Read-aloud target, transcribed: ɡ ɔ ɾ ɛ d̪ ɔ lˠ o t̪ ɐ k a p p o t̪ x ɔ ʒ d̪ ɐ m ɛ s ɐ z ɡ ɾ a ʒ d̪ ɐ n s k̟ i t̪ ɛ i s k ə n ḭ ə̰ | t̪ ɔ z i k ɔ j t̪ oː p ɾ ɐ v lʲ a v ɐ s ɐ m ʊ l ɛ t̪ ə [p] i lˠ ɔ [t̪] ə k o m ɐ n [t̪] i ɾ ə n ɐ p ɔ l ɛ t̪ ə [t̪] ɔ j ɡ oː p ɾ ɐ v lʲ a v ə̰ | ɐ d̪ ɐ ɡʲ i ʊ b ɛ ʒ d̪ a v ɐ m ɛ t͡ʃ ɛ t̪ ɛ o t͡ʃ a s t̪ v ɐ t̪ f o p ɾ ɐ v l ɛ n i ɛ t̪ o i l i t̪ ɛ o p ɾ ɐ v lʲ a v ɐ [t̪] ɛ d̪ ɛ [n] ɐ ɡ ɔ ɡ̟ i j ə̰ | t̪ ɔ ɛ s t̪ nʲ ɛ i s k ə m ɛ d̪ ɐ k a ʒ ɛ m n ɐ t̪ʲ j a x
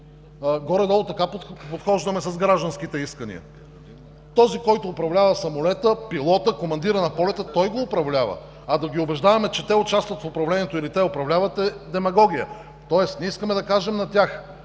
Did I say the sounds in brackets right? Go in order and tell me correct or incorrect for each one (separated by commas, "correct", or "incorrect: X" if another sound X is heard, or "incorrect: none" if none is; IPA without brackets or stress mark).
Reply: correct, correct, incorrect: d̪, correct, correct, incorrect: m